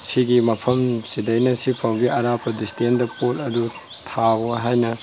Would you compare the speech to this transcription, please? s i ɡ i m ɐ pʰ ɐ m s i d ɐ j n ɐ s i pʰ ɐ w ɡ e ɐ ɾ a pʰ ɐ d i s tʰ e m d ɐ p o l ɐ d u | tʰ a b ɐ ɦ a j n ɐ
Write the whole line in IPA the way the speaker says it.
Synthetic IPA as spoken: s i ɡ i m ɐ pʰ ɐ m s i d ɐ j n ɐ s i pʰ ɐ w ɡ i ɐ ɾ a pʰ ɐ d i s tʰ e n d ɐ p o l ɐ d u | tʰ a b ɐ ɦ a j n ɐ